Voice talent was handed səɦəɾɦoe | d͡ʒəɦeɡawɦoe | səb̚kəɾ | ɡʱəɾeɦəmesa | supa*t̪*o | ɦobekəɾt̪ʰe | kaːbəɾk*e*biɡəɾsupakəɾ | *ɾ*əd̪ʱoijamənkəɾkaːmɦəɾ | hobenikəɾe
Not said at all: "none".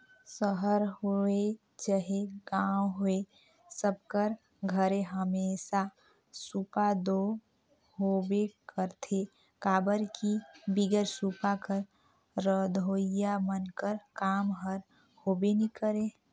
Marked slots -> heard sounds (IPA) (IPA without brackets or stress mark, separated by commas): d̪, i, ɾ